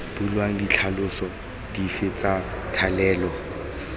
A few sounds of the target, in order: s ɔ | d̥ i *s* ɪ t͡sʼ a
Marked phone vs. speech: incorrect: f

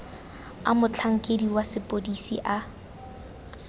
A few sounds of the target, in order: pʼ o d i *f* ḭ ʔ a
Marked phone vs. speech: incorrect: s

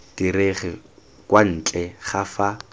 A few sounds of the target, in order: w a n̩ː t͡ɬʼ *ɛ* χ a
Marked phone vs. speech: correct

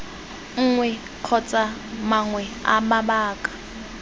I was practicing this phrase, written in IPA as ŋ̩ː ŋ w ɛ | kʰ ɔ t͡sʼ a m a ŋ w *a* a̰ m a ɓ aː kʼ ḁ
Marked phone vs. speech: incorrect: ɛ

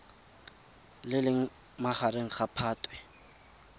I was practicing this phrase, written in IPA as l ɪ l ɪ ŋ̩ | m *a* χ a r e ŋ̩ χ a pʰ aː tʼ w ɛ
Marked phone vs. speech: correct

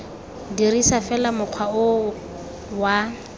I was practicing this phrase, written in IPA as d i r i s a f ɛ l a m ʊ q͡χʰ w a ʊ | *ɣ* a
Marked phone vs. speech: incorrect: w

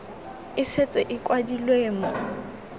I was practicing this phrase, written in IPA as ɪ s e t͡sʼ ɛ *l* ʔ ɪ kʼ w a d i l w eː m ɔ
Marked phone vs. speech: incorrect: none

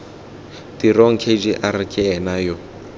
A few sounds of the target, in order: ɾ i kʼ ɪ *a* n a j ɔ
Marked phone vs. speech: incorrect: ɛ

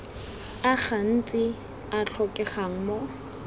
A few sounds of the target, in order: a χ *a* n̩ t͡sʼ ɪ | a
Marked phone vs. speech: correct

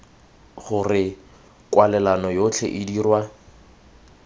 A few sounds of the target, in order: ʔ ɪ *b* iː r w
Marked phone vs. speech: incorrect: d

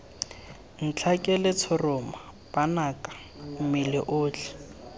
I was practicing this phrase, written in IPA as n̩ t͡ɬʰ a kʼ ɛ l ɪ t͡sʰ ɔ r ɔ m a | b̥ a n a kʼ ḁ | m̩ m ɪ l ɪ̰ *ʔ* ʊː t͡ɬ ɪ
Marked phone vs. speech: correct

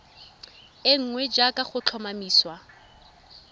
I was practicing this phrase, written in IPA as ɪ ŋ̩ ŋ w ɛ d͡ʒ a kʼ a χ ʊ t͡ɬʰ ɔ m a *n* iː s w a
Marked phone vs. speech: incorrect: m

